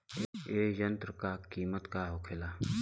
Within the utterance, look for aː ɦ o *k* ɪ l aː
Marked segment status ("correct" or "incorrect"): incorrect